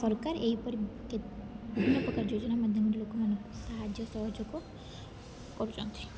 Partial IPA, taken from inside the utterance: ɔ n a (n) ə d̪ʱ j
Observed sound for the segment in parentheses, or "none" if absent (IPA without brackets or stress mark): m